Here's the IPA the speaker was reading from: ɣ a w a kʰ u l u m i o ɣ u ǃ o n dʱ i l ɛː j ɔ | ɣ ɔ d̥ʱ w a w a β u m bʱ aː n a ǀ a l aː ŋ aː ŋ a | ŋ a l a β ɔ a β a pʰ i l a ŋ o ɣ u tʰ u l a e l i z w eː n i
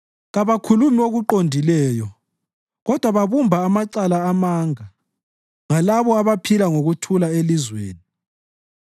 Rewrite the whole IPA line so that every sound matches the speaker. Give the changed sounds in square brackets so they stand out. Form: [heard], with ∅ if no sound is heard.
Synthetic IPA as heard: ɣ a [β] a kʰ u l u m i o ɣ u ǃ o n dʱ i l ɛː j ɔ | ɣ ɔ d̥ʱ w a [β] a β u m bʱ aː [m] a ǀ a l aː [m] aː ŋ a | ŋ a l a β ɔ a β a pʰ i l a ŋ o ɣ u tʰ u l a e l i z w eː n i